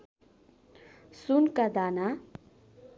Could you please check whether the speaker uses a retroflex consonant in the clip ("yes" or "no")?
no